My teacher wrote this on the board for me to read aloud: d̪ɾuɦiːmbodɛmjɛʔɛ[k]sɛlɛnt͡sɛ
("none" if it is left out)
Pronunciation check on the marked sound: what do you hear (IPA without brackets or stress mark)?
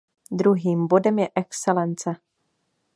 k